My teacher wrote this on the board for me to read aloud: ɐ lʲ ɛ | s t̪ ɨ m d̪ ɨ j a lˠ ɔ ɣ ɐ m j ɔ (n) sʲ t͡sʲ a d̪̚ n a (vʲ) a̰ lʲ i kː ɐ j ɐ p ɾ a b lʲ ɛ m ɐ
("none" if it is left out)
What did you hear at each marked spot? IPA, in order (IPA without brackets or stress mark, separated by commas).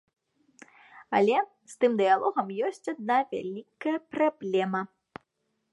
none, vʲ